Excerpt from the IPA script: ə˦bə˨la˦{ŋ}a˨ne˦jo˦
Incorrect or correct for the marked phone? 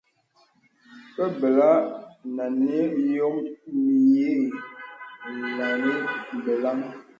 incorrect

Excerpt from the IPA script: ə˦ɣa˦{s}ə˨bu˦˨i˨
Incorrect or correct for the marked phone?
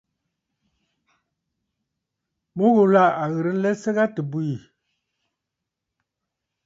incorrect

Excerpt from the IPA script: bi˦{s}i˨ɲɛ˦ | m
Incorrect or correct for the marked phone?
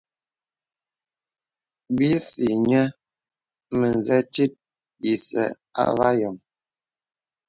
correct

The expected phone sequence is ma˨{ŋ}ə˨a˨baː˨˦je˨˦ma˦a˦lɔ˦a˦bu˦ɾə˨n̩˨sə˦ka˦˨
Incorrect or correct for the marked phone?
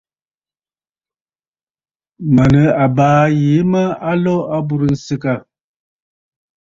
incorrect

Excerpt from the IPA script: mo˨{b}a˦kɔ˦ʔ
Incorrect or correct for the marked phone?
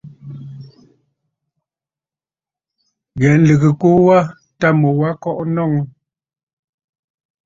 incorrect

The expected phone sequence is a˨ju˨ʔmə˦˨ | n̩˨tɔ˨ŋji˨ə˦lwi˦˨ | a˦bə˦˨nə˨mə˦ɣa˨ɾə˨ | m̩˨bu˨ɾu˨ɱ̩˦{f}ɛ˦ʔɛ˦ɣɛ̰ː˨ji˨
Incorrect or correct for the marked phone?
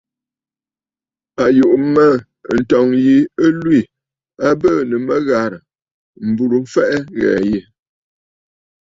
correct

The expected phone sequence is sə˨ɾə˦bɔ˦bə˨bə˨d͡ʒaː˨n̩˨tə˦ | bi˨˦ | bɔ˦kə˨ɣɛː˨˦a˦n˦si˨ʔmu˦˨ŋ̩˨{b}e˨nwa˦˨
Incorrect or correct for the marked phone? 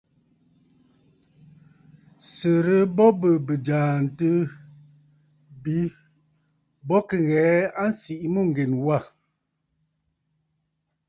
incorrect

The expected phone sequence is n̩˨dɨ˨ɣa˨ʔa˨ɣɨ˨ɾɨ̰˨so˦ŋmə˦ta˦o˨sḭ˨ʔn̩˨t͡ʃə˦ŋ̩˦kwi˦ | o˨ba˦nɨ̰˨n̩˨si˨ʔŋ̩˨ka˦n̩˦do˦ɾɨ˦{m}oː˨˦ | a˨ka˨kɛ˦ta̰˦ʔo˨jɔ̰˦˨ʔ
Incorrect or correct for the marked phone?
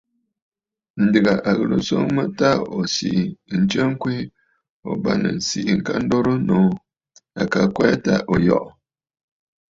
incorrect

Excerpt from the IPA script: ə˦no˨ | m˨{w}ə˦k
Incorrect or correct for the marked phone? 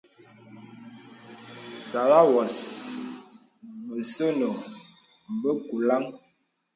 incorrect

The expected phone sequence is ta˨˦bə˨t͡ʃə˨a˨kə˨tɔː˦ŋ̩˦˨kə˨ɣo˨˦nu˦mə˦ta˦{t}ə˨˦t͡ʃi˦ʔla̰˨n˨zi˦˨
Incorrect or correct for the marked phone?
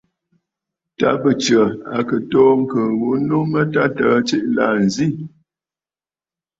correct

